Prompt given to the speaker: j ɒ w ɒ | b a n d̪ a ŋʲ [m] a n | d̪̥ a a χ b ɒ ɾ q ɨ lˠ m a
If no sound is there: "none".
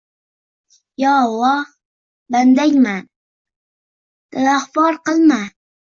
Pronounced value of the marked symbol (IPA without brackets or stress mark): m